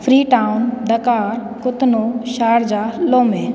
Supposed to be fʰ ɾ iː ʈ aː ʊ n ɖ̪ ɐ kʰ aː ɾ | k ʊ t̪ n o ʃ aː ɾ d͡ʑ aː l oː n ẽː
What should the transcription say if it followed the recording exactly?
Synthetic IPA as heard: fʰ ɾ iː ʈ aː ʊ n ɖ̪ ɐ k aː ɾ | k ʊ t̪ n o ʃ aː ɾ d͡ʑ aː l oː m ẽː